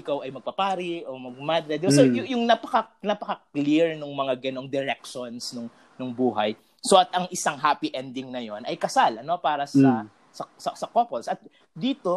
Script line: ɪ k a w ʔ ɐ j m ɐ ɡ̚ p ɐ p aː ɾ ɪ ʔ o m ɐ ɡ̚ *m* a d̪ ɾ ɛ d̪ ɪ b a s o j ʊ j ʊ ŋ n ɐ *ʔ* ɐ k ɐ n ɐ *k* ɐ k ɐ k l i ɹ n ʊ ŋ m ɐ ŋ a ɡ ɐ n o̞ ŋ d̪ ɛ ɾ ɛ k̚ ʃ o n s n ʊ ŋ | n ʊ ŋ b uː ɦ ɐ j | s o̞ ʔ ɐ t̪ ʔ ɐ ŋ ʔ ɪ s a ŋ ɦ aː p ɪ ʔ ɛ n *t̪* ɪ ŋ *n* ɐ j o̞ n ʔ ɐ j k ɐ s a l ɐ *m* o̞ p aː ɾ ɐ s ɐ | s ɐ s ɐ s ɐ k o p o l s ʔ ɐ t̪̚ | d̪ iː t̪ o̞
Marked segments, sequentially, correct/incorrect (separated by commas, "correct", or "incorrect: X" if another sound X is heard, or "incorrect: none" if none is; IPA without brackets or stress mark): correct, incorrect: p, incorrect: p, incorrect: d̪, correct, incorrect: n